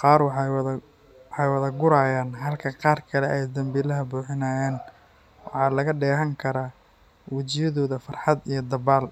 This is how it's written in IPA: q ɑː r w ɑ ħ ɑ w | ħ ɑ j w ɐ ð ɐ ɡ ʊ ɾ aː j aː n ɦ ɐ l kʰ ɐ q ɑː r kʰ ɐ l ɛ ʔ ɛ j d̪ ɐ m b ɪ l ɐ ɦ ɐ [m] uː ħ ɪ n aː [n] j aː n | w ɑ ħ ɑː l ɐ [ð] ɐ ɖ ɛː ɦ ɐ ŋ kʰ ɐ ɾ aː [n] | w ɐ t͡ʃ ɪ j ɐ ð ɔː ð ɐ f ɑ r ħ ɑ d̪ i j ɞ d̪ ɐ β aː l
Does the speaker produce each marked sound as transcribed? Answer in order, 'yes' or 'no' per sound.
no, no, no, no

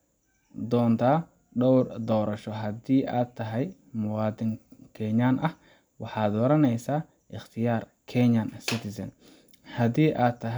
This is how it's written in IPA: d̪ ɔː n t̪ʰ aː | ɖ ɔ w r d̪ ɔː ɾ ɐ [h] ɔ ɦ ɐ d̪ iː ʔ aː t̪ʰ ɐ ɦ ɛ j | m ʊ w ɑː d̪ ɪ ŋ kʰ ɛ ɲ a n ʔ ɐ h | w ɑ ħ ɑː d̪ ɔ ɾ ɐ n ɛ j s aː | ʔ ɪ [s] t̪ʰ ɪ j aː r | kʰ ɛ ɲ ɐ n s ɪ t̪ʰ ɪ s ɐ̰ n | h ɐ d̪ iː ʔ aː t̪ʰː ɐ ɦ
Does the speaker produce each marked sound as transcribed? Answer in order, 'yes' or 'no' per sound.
no, no

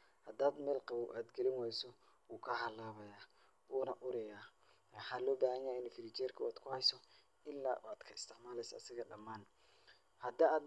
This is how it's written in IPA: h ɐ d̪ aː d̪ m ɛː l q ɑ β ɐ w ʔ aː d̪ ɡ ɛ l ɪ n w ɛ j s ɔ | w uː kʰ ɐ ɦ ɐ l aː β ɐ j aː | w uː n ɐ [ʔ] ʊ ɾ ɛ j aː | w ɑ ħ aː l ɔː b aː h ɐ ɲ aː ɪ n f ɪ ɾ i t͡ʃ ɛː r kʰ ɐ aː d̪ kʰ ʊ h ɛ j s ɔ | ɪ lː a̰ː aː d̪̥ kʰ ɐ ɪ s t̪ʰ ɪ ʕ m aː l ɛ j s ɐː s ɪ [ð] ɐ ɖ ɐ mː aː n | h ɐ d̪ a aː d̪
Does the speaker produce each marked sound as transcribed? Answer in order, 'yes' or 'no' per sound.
yes, no

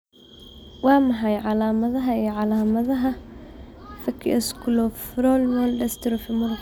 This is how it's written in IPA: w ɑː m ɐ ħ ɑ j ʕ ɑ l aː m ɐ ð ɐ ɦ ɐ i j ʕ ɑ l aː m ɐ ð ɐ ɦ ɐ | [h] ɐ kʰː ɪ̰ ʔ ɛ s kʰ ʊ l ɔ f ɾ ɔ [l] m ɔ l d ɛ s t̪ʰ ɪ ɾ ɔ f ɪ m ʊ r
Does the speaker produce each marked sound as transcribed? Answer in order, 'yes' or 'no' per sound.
no, yes

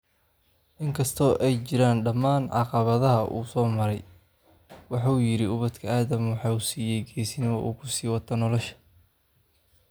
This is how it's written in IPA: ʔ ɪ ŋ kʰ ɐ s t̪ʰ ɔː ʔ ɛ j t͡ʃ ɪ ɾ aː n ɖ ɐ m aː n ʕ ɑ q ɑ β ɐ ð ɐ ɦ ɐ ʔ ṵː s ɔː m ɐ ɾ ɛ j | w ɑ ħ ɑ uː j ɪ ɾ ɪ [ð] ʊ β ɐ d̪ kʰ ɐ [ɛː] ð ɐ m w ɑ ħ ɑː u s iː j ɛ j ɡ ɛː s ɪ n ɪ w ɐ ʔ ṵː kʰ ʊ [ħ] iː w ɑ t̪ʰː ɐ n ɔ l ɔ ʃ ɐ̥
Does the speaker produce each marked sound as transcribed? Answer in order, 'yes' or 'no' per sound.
no, no, no

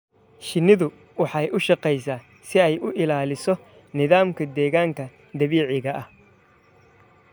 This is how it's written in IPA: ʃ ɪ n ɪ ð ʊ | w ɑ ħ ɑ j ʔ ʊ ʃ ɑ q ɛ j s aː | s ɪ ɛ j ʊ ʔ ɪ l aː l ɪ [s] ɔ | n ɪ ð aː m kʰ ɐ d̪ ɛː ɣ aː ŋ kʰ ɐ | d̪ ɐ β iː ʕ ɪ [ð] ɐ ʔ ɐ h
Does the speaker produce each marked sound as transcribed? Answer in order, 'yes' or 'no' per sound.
yes, no

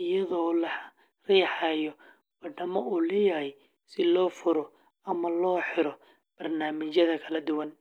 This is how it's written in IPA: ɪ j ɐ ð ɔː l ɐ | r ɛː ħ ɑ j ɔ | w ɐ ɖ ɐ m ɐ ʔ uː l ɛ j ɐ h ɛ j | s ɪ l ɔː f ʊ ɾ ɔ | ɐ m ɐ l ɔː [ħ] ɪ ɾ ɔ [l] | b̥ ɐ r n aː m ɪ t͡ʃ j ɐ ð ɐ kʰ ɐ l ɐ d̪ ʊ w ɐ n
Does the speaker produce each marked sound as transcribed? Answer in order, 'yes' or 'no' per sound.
yes, no

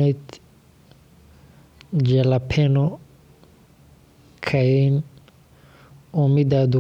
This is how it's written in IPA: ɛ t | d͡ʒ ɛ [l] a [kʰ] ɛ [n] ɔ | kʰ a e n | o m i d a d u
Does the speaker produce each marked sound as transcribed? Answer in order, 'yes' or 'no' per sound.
yes, no, yes

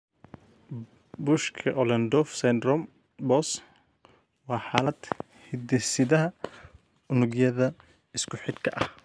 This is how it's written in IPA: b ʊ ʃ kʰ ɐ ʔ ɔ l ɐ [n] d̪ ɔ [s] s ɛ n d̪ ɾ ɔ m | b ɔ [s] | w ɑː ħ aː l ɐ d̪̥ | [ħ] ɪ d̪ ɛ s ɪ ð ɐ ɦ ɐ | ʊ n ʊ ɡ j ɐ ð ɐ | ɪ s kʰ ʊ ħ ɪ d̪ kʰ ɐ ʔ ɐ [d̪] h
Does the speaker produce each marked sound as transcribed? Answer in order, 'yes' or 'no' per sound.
yes, no, yes, no, no

